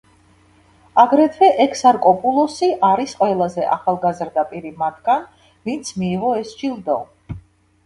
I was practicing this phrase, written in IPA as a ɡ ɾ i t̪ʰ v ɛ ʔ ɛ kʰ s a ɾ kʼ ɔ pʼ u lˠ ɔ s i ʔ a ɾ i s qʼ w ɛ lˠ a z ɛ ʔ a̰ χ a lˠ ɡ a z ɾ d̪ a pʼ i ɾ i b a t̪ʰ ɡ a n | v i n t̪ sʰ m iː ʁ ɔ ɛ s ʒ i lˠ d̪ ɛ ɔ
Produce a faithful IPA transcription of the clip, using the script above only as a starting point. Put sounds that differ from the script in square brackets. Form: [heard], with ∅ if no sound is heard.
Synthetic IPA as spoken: a ɡ ɾ [ɛ] t̪ʰ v ɛ ʔ ɛ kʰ s a ɾ kʼ ɔ pʼ u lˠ ɔ s i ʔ a ɾ i s qʼ w ɛ lˠ a z ɛ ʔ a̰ χ a lˠ ɡ a z ɾ d̪ a pʼ i ɾ i [m] a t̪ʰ ɡ a n | v i n t̪ sʰ m iː ʁ ɔ ɛ s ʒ i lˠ d̪ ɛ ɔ

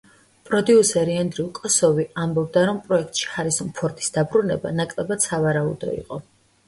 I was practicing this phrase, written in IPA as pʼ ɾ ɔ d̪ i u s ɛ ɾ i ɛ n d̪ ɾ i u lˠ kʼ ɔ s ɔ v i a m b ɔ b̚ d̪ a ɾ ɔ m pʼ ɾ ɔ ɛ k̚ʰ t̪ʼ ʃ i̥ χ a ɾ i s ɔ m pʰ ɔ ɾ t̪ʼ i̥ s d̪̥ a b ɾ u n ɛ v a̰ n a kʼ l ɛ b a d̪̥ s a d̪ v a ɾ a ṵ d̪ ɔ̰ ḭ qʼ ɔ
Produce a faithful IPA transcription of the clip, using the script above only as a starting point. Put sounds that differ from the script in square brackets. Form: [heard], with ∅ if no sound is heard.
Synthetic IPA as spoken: pʼ ɾ ɔ d̪ i u s ɛ ɾ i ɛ n d̪ ɾ i u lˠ kʼ ɔ s ɔ v i a m b ɔ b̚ d̪ a ɾ ɔ m pʼ ɾ ɔ ɛ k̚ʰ t̪ʼ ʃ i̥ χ a ɾ i s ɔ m pʰ ɔ ɾ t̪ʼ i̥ s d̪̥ a b ɾ u n ɛ [b] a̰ n a kʼ l ɛ b a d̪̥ s a [∅] v a ɾ a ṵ d̪ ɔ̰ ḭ qʼ ɔ

